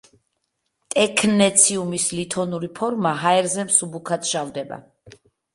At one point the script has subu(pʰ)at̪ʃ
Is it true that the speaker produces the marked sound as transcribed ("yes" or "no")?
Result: no